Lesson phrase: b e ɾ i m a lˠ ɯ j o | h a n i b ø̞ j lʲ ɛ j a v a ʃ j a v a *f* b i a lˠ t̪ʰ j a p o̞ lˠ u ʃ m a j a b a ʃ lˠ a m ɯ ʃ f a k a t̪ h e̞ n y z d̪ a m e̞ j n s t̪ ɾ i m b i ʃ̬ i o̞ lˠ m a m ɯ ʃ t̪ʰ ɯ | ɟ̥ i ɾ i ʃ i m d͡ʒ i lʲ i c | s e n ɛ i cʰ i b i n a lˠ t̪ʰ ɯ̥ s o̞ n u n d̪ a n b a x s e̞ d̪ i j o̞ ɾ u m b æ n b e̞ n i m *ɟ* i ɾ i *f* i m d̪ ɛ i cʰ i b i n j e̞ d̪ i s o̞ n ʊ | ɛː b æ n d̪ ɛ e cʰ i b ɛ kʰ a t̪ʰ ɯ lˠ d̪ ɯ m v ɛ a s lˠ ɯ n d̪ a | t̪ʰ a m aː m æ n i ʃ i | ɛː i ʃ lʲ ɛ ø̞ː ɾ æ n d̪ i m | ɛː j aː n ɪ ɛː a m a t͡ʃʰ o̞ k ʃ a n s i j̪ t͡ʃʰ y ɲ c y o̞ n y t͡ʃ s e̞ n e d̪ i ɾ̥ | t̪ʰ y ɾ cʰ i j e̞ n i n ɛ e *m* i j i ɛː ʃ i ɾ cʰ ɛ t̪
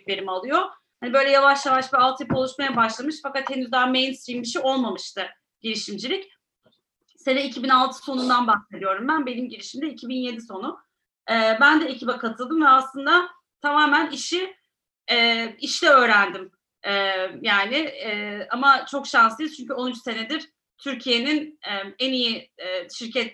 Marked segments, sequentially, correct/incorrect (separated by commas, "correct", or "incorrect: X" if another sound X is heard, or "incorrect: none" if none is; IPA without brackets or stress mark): incorrect: ʃ, correct, incorrect: ʃ, incorrect: n